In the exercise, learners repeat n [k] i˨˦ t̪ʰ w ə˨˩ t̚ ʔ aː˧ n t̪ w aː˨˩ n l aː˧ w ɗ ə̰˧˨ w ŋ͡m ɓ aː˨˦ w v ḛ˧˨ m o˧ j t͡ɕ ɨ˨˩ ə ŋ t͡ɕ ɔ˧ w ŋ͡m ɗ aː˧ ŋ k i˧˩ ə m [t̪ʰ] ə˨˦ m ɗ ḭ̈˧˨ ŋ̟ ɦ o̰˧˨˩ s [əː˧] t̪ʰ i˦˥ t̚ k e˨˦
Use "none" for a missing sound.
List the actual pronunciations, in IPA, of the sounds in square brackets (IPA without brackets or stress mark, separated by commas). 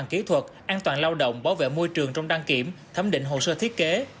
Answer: k, t̪ʰ, əː˧